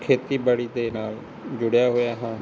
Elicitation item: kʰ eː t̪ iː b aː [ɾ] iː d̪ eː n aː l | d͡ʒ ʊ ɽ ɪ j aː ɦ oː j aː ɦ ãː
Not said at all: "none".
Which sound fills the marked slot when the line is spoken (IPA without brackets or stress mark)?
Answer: ɽ